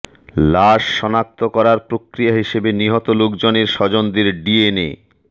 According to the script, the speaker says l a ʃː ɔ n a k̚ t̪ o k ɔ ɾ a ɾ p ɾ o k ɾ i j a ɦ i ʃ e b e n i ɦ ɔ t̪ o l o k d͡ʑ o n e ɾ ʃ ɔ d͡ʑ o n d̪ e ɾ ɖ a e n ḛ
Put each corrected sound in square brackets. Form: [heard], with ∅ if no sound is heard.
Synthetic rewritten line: l a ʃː ɔ n a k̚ t̪ o k ɔ ɾ a ɾ p ɾ o k ɾ i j a ɦ i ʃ e b e n i ɦ ɔ t̪ o l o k d͡ʑ o n e ɾ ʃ ɔ d͡ʑ o n d̪ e ɾ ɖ [i] e n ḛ

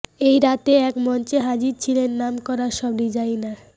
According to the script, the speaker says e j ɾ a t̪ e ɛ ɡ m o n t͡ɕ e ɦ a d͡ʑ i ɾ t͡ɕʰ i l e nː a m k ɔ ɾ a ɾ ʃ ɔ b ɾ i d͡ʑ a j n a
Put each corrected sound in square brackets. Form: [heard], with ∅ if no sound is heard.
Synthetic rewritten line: e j ɾ a t̪ e ɛ [k] m [ɔ] n t͡ɕ e ɦ a d͡ʑ i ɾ t͡ɕʰ i l e nː a m k ɔ ɾ a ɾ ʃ ɔ b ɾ i d͡ʑ a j n a

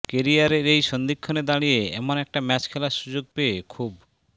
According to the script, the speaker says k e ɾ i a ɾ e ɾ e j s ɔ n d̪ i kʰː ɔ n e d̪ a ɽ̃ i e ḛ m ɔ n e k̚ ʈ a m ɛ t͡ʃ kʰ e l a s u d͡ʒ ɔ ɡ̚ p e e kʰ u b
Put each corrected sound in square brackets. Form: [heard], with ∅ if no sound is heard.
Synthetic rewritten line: k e ɾ i a ɾ e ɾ e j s ɔ n d̪ i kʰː ɔ n e d̪ a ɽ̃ i e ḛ m ɔ n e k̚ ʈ a m ɛ t͡ʃ kʰ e l a s u d͡ʒ [o] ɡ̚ p e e kʰ u b

